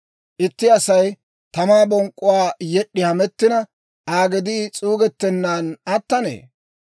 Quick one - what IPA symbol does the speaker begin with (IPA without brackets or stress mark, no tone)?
ʔ